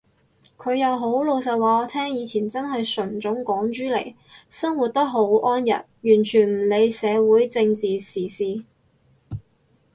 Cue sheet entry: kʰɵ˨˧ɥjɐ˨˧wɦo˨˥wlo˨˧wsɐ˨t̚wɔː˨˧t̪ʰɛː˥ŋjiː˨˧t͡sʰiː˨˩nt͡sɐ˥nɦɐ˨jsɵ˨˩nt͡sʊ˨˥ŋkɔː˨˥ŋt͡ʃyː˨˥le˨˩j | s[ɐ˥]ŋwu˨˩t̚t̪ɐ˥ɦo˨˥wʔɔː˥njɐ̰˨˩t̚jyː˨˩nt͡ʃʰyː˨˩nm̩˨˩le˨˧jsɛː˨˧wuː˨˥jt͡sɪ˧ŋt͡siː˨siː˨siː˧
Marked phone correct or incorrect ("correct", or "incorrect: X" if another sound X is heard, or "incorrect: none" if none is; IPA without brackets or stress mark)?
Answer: correct